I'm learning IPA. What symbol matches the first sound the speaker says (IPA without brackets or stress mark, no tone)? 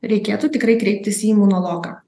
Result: ɾʲ